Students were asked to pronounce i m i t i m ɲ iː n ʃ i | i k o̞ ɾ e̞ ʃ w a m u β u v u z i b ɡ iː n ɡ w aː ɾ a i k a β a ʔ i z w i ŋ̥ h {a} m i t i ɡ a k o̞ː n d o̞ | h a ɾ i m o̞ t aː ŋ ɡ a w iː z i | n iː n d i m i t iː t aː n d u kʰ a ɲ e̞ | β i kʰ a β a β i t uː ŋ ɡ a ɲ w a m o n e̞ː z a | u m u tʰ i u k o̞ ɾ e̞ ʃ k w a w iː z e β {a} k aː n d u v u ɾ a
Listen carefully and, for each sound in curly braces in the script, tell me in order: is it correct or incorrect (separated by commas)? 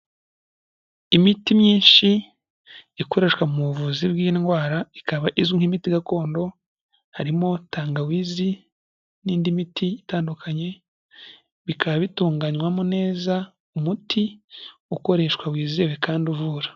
incorrect, incorrect